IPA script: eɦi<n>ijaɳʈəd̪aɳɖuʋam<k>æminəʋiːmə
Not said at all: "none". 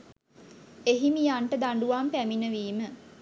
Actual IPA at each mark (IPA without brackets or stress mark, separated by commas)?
m, p